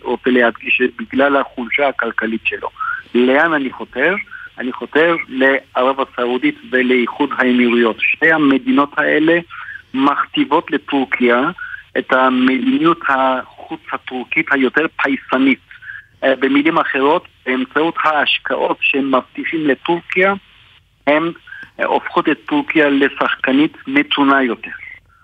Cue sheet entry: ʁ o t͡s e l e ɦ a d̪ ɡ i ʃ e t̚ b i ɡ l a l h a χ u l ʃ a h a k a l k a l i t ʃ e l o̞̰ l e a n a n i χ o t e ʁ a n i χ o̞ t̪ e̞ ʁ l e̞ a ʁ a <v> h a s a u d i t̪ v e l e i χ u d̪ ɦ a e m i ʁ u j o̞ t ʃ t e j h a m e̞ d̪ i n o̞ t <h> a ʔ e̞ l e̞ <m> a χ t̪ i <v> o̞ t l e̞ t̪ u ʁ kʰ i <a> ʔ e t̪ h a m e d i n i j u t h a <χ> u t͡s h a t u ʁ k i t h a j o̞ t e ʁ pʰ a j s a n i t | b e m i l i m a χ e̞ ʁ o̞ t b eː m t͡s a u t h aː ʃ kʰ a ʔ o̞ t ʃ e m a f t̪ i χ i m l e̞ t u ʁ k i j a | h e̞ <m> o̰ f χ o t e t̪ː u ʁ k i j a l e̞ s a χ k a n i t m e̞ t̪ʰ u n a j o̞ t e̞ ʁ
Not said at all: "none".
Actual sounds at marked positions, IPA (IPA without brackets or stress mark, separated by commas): v, h, m, v, a, χ, m